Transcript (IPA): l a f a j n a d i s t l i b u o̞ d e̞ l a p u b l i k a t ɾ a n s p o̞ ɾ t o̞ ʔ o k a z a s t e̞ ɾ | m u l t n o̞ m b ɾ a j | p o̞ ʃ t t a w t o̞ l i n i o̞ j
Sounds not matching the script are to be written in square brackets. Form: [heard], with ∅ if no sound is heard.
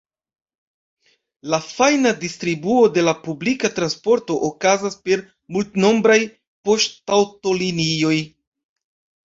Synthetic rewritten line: l a f a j n a d i s t [ɾ] i b u o̞ d e̞ l a p u b l i k a t ɾ a n s p o̞ ɾ t o̞ ʔ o k a z a s [p] e̞ ɾ | m u l t n o̞ m b ɾ a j | p o̞ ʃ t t a w t o̞ l i n i o̞ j